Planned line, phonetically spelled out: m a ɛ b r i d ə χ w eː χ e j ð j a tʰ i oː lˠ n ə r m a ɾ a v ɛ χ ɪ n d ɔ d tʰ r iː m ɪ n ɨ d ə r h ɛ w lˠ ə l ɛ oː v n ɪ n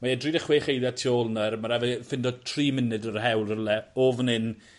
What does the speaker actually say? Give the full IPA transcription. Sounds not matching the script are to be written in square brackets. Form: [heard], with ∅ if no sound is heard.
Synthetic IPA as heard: m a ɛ [d] r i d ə χ w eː χ e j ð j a tʰ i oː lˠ n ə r m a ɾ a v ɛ [f] ɪ n d ɔ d tʰ r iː m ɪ n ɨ d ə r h ɛ w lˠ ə l ɛ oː v n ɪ n

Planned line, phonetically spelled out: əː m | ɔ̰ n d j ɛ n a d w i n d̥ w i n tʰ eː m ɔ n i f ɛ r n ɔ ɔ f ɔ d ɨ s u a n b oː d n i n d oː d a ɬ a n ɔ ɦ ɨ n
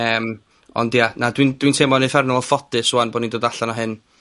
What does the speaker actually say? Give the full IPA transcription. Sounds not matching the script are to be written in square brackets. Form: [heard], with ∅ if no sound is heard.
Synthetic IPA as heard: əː m | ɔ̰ n d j [a] n a d w i n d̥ w i n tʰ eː m ɔ n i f ɛ r n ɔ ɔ f ɔ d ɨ s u a n b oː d n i n d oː d a ɬ a n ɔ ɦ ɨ n

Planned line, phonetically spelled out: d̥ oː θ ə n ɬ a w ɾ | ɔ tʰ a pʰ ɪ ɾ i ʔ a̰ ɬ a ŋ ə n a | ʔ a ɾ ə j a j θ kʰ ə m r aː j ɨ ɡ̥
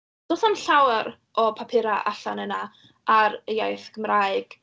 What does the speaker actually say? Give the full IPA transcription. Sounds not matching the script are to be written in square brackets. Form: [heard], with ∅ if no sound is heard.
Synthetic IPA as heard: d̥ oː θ [a] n ɬ a w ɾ | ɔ [pʰ] a pʰ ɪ ɾ [a] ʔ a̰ ɬ a [n] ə n a | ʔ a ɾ ə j a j θ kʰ ə m r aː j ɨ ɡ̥

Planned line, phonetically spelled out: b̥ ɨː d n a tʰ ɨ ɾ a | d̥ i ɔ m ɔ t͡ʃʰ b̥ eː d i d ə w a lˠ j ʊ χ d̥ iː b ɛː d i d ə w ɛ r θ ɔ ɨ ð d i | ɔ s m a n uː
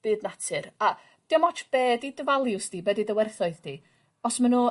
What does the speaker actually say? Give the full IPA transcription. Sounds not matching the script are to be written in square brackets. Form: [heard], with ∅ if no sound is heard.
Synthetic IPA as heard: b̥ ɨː d n a tʰ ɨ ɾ a | d̥ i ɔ m ɔ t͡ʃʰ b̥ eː d i d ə [v] a lˠ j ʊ [s] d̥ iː b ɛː d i d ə w ɛ r θ ɔ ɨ ð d i | ɔ s m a n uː

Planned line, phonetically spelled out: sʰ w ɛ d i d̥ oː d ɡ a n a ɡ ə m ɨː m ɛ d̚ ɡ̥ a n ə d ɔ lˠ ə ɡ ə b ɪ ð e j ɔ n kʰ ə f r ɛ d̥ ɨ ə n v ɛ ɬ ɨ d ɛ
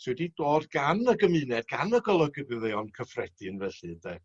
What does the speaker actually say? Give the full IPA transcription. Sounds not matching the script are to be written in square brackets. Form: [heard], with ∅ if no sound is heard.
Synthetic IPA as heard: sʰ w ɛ d i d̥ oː d ɡ a n [ə] ɡ ə m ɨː [n] ɛ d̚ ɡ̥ a n ə [ɡ] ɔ lˠ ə ɡ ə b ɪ ð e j ɔ n kʰ ə f r ɛ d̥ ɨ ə n v ɛ ɬ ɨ d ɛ

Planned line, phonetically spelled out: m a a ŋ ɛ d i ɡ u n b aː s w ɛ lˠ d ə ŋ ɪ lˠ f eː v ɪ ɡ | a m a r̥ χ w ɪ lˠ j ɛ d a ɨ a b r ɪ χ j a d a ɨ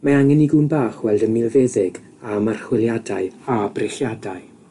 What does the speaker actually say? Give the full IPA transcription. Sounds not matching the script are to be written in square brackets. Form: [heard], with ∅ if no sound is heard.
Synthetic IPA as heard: m a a ŋ ɛ [n] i ɡ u n b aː [χ] w ɛ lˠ d ə [m] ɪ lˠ [v] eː [ð] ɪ ɡ | a m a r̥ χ w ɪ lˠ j [a] d a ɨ a b r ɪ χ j a d a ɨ

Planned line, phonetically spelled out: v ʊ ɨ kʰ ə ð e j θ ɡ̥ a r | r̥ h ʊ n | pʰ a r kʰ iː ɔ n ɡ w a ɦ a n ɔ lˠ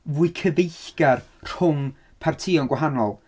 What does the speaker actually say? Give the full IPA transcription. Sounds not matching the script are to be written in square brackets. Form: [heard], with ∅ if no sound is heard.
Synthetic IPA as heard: v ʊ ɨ kʰ ə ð e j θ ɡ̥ a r | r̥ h ʊ [m] | pʰ a r [tʰ] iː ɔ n ɡ w a ɦ a n ɔ lˠ

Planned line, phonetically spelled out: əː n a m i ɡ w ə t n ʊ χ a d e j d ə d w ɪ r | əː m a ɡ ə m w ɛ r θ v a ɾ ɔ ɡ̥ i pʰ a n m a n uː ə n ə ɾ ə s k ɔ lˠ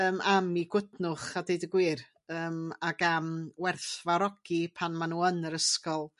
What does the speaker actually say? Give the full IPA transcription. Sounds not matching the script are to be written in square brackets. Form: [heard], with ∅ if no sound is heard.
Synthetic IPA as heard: əː [m] a m i ɡ w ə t n ʊ χ a d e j d ə [ɡ] w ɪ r | əː m a ɡ [a] m w ɛ r θ v a ɾ ɔ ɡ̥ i pʰ a n m a n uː ə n ə ɾ ə s k ɔ lˠ

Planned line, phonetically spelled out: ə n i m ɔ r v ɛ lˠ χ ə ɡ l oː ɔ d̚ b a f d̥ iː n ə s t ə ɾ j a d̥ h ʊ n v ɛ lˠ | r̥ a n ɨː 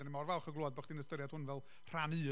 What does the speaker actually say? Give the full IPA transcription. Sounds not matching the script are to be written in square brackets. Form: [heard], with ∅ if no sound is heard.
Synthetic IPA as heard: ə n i m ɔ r v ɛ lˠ χ ə ɡ l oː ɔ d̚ b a [χ] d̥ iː n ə s t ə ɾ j a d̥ h ʊ n v ɛ lˠ | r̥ a n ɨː

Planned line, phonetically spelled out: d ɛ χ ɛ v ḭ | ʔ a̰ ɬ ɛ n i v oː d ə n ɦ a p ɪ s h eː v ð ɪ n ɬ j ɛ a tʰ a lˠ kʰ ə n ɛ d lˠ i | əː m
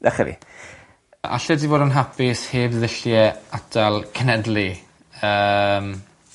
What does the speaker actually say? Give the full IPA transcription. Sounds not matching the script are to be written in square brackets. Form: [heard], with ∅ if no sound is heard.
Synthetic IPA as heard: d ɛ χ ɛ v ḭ | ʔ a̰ ɬ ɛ [d] i v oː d ə n ɦ a p ɪ s h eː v ð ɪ [∅] ɬ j ɛ a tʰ a lˠ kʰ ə n ɛ d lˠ i | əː m

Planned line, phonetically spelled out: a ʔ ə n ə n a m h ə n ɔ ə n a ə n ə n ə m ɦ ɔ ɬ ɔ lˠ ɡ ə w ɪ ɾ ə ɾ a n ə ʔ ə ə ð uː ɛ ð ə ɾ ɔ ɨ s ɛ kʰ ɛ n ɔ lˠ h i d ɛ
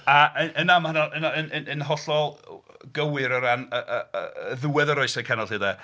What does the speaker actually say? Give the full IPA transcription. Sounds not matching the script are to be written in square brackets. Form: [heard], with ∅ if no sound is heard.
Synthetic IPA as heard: a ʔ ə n ə n a m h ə n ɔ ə n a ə n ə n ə [n] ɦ ɔ ɬ ɔ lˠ ɡ ə w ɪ ɾ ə ɾ a n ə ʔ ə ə ð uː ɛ ð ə ɾ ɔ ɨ s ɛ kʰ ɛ n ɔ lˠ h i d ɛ

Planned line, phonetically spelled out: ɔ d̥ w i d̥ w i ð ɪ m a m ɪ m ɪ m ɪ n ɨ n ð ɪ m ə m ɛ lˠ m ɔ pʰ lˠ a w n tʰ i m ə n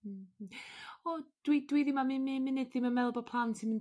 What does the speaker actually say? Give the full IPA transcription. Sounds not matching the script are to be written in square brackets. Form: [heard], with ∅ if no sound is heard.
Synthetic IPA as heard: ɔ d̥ w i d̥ w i ð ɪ m a m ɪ m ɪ m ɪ n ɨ [d] ð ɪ m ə m ɛ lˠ [b] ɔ pʰ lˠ a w n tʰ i m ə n

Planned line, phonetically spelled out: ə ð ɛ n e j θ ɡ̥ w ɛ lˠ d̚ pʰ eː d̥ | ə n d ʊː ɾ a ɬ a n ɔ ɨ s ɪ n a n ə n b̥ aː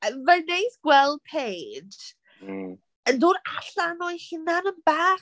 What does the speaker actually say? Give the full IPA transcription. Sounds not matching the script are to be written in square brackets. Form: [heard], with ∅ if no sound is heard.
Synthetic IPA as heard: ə [v] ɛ n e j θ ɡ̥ w ɛ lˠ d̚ pʰ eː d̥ | ə n d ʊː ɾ a ɬ a n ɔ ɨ [h] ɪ n a n ə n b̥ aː

